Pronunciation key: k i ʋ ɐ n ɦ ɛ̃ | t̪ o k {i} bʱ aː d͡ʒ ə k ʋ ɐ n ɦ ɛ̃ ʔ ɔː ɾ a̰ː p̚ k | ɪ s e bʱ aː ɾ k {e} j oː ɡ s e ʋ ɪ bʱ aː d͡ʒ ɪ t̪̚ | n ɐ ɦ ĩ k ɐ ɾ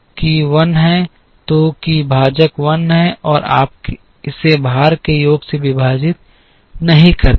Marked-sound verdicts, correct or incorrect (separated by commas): correct, correct